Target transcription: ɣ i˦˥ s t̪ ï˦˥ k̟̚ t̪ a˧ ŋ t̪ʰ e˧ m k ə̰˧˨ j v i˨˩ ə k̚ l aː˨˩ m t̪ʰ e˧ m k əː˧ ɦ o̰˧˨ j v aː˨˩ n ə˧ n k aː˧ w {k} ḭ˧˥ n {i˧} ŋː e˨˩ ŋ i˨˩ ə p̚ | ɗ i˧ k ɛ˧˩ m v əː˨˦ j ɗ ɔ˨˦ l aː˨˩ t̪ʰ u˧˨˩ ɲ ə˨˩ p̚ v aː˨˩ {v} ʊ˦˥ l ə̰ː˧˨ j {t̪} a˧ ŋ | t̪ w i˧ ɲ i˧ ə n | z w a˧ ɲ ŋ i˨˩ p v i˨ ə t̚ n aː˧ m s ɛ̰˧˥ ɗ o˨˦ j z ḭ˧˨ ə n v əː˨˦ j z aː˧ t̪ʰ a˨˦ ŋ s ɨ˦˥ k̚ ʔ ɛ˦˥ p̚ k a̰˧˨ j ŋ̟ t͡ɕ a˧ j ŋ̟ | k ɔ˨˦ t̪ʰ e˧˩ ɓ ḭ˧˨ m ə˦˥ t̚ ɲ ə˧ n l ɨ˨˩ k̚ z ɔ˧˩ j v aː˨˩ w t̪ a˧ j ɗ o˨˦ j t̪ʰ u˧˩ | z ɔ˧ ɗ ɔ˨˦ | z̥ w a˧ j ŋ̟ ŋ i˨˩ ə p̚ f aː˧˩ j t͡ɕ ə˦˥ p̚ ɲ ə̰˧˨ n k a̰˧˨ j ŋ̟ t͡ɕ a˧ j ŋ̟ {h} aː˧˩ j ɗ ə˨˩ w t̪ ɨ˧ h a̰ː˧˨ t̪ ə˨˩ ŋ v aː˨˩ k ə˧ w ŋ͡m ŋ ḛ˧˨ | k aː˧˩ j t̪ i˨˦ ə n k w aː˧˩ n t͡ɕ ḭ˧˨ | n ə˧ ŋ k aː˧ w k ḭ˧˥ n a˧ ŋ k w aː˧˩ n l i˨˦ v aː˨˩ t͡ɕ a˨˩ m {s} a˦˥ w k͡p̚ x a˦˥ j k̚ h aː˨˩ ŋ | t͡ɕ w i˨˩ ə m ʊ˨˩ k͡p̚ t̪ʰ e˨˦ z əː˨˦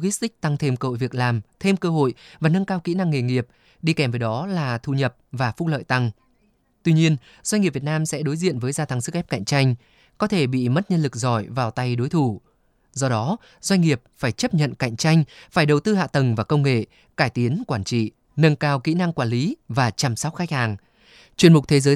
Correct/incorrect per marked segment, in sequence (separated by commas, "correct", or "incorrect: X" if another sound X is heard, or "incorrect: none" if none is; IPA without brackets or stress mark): correct, incorrect: a˧, incorrect: f, correct, incorrect: f, correct